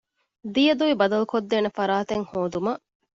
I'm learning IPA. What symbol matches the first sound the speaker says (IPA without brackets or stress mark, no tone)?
d̪